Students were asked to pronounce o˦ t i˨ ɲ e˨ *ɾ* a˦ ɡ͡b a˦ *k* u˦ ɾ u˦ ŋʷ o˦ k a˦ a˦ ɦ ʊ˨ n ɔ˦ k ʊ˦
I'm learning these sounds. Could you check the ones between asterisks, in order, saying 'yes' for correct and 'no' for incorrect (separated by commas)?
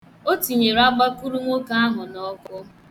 yes, yes